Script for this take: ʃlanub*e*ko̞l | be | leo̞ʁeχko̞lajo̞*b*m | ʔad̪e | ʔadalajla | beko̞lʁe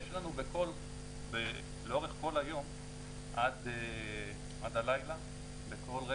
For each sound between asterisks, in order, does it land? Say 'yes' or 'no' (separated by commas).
yes, no